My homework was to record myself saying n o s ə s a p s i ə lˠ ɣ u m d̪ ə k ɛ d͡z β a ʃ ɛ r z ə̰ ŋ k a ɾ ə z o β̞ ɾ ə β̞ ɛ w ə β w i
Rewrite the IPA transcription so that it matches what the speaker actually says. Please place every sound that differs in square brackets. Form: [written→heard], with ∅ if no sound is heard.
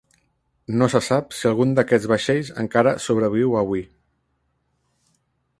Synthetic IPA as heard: n o s ə s a p s i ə lˠ ɣ u [m→n] d̪ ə k ɛ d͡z β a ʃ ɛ [r→ʎ] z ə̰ ŋ k a ɾ ə [z→s] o β̞ ɾ ə β̞ [ɛ→i] w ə β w i